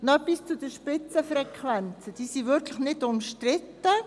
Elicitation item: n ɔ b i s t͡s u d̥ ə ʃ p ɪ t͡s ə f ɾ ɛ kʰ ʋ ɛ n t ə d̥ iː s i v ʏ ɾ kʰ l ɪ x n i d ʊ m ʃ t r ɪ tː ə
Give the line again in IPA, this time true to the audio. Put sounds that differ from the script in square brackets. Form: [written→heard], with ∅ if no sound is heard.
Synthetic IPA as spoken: n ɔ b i s t͡s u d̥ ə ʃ p ɪ t͡s ə f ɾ ɛ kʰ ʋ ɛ n [t→t͡s] ə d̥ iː s i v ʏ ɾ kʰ l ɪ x n [i→ɪ] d ʊ m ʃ t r ɪ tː ə